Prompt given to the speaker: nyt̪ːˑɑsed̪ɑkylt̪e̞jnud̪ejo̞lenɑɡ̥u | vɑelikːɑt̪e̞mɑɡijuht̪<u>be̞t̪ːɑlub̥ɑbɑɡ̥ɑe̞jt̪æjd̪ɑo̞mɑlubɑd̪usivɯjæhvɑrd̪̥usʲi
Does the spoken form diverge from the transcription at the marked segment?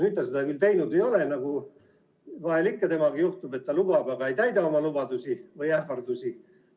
no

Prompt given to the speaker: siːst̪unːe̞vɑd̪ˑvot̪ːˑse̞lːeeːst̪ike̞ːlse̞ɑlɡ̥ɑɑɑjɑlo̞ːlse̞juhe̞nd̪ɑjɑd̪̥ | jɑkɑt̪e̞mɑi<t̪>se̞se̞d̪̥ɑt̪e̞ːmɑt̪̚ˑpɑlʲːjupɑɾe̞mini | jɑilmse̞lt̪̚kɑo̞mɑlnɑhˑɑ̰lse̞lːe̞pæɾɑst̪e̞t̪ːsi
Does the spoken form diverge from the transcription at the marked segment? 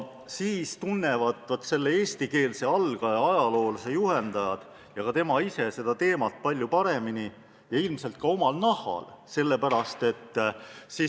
yes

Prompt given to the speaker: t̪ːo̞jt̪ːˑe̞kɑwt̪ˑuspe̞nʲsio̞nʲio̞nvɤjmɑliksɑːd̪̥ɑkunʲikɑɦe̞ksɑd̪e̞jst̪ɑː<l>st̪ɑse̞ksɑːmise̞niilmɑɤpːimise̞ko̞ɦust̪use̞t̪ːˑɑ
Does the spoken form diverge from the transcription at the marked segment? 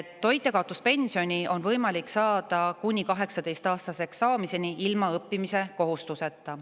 yes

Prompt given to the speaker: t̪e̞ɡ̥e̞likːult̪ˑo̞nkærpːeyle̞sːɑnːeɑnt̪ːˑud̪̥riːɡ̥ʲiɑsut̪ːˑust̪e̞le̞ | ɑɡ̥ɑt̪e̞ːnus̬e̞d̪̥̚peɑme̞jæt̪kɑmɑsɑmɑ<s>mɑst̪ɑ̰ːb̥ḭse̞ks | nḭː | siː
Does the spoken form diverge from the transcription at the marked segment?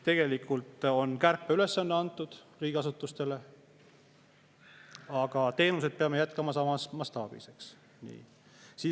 no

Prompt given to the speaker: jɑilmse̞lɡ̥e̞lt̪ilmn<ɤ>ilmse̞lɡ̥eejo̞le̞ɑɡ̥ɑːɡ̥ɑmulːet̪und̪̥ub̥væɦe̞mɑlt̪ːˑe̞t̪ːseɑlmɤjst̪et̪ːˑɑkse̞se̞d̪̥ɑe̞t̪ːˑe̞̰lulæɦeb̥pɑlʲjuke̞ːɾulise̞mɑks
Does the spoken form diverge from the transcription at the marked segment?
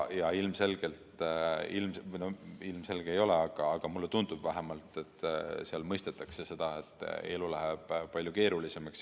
yes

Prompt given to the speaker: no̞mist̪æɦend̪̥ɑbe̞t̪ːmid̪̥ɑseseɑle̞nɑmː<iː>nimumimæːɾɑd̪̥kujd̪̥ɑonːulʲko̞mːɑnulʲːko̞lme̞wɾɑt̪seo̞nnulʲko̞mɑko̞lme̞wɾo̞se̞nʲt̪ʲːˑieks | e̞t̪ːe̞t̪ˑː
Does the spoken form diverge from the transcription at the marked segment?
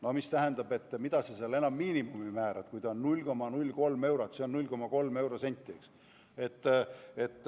no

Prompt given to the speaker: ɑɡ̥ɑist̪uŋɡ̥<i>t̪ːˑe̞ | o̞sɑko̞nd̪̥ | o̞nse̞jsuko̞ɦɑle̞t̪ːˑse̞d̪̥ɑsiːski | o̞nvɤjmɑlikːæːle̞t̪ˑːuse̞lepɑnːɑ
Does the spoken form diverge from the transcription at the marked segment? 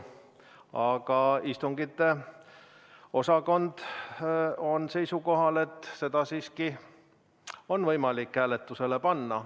no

